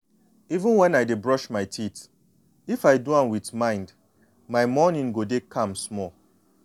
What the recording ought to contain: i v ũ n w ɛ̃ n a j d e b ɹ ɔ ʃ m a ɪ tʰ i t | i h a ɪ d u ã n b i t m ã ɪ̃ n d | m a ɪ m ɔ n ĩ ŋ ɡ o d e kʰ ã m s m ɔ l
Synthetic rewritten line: i v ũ n w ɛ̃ n a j d e b ɹ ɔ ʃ m a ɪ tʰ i t | i f a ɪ d u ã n w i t m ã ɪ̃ n d | m a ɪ m ɔ n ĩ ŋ ɡ o d e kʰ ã m s m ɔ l